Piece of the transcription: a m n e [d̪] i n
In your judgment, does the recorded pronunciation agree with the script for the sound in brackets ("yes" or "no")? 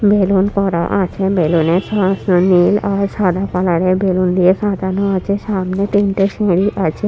no